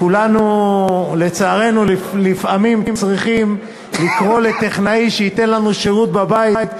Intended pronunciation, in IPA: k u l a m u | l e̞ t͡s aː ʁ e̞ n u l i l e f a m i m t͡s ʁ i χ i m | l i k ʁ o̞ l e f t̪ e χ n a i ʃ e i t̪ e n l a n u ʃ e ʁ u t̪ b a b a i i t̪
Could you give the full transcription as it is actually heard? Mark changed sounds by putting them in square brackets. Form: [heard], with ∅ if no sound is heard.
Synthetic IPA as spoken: k u l a [n] u | l e̞ t͡s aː ʁ e̞ n u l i l [i] f a m i m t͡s ʁ i χ i m | l i k ʁ o̞ l e [∅] t̪ e χ n a i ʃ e i t̪ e n l a n u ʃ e ʁ u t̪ b a b a i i t̪

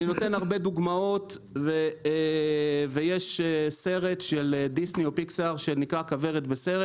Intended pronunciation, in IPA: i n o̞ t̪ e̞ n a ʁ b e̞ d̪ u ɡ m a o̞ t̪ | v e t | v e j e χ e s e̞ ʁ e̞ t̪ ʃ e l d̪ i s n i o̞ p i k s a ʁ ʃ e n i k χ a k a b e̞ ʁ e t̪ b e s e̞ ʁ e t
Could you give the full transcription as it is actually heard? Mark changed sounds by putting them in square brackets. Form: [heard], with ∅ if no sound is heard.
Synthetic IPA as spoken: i n o̞ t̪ e̞ n a ʁ b e̞ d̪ u ɡ m a o̞ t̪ | v e [∅] | v e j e [ʃ] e s e̞ ʁ e̞ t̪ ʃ e l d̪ i s n i o̞ p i k s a ʁ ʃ e n i k [ʁ] a k a [v] e̞ ʁ e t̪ b e s e̞ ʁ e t

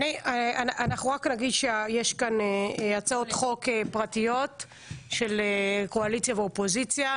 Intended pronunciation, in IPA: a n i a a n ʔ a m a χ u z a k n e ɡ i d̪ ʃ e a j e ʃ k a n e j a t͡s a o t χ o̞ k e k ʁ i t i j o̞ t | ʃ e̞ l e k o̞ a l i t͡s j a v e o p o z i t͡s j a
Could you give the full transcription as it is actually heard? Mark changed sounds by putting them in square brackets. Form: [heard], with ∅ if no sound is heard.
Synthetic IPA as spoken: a n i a a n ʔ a [n] a χ u [ʁ] a k n [a] ɡ i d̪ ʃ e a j e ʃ k a n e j a t͡s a o t χ o̞ k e [p] ʁ [a] t i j o̞ t | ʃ e̞ l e k o̞ a l i t͡s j a v e o p o z i t͡s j a

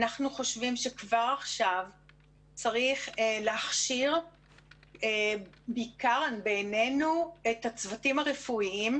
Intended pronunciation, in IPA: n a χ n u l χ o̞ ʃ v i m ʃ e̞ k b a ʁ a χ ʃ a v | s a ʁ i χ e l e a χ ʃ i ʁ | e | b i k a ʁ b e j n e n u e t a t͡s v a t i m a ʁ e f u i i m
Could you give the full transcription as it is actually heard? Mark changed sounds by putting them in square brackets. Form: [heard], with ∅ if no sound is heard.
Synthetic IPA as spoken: n a χ n u [∅] χ o̞ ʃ v i m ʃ e̞ k [v] a ʁ a χ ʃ a v | [t͡s] a ʁ i χ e l e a χ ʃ i ʁ | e | b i k a ʁ b e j n e n u e t a t͡s v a t i m a ʁ e f u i i m

